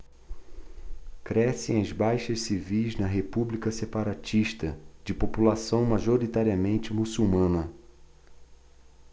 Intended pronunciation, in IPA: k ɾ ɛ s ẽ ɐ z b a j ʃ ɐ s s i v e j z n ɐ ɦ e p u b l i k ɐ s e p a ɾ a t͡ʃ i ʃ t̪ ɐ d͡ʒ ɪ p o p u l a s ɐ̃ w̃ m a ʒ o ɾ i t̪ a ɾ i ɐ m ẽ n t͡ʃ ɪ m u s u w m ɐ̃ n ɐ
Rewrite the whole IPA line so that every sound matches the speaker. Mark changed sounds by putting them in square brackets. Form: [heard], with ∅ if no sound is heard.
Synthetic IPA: k ɾ ɛ s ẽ ɐ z b a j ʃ ɐ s s i v [i] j z n ɐ ɦ e p u b l i k ɐ s e p a ɾ a t͡ʃ i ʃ t̪ ɐ d͡ʒ ɪ p o p u l a s ɐ̃ w̃ m a ʒ o ɾ i t̪ a ɾ i ɐ m ẽ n t͡ʃ ɪ m u s u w m ɐ̃ n ɐ